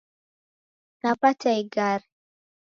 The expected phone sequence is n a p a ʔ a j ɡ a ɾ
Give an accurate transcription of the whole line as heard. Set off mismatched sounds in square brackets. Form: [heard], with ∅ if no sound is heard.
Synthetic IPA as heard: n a p a [t] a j ɡ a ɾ